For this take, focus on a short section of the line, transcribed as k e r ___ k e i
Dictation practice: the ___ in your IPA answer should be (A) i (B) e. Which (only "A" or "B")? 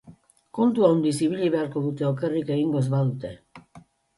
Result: A